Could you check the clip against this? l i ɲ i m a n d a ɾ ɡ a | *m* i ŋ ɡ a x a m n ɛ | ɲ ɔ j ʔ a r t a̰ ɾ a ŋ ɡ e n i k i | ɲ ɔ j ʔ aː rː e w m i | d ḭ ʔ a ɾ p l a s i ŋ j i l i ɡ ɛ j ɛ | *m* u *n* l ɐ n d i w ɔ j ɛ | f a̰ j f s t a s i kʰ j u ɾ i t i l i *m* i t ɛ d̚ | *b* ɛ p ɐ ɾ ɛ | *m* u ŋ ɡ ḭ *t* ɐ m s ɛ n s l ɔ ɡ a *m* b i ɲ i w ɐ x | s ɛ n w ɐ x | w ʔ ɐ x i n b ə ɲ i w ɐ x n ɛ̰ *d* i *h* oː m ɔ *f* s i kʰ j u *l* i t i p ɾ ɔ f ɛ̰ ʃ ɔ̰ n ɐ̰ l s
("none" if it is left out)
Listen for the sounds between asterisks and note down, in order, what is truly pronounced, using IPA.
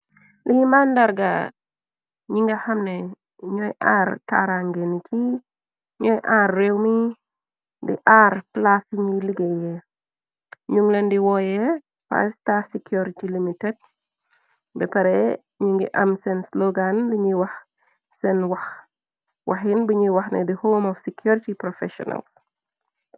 ɲ, ɲ, ŋ, m, b, ɲ, ʔ, n, d, h, f, ɾ

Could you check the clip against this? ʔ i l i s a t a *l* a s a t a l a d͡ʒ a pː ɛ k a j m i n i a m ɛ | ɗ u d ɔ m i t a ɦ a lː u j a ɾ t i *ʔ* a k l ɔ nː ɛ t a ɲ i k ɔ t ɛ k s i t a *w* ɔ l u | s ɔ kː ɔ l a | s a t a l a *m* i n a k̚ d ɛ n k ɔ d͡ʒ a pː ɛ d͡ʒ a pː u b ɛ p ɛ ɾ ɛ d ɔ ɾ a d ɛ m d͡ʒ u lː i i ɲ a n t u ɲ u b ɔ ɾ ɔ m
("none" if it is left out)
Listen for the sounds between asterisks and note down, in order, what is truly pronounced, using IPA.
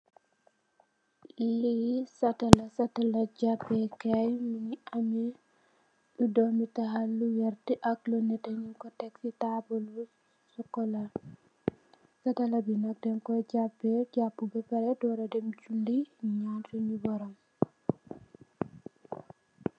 l, ʔ, b, b

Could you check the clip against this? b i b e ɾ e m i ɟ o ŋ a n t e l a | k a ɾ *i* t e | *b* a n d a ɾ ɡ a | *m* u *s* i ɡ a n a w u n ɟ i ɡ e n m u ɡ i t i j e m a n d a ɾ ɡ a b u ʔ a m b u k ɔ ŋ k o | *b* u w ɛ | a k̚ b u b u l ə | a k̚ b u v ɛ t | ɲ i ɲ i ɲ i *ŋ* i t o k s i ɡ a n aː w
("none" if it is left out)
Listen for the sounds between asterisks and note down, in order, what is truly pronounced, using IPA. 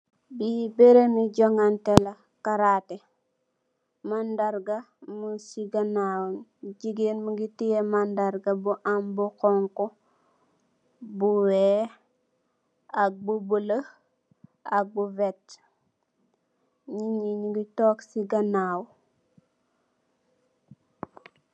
a, m, m, s, b, ɡ

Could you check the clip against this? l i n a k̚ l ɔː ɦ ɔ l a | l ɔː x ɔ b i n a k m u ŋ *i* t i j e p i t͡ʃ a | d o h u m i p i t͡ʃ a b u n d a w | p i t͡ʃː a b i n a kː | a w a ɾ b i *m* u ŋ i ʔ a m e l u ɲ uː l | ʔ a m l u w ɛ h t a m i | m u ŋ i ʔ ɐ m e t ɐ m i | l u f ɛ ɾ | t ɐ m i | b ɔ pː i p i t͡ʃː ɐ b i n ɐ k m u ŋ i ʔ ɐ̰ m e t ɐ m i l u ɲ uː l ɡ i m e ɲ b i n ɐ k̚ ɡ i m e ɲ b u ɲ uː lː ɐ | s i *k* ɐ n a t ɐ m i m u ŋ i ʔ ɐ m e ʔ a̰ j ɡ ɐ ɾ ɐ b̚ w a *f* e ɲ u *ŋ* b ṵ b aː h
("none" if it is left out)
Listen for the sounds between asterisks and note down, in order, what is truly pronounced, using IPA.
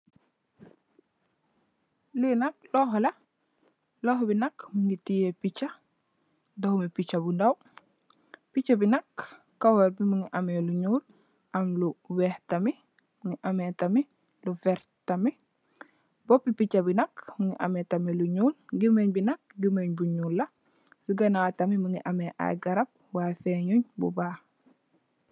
i, m, ɡ, f, ɲ

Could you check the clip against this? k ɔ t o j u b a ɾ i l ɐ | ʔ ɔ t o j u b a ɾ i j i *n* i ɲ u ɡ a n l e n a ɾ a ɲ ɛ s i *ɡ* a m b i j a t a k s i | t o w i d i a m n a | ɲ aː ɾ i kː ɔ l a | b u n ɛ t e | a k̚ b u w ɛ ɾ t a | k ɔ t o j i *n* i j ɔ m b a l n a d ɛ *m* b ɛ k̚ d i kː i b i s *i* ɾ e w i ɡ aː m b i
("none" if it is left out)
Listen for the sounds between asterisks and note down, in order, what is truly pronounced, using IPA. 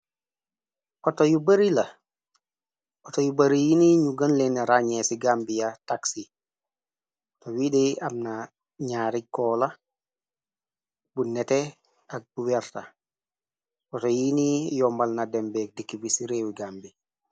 n, ɡ, n, m, i

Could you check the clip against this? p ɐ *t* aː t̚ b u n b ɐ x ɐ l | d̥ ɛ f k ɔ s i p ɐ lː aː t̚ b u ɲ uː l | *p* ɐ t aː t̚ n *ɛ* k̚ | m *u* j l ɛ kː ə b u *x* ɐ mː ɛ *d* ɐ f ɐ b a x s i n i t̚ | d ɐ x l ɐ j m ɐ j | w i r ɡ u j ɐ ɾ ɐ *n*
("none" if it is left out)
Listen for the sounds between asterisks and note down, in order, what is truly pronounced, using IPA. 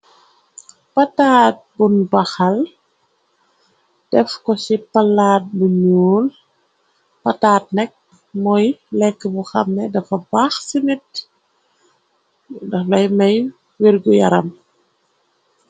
t, p, ɛ, ɔ, x, d, m

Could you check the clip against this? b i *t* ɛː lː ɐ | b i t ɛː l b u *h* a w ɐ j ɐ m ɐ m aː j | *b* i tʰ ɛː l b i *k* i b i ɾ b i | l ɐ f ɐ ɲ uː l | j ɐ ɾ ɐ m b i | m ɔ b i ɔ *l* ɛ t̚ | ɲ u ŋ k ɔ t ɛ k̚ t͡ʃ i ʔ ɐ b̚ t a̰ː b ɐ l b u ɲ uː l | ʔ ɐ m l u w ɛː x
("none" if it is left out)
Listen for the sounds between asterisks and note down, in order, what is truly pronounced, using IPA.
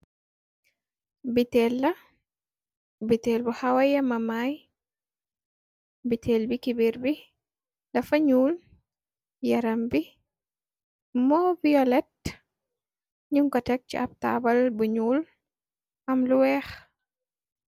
t, h, b, k, l

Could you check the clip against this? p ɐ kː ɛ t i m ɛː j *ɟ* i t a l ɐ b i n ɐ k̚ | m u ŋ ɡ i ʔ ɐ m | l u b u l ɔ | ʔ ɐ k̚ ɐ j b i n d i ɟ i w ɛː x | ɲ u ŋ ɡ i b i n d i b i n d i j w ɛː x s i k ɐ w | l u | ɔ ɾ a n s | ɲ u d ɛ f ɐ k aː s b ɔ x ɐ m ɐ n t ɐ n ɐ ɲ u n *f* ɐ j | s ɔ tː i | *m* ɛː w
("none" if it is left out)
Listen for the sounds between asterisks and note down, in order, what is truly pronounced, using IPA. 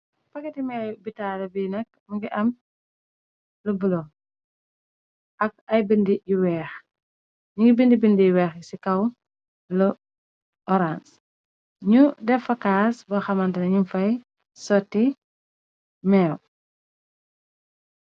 b, f, m

